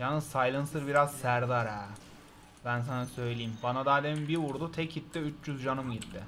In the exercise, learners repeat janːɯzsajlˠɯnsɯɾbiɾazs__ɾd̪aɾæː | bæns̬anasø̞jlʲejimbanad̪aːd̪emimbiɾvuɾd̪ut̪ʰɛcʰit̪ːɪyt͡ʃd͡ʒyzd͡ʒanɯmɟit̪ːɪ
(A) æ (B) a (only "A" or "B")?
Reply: A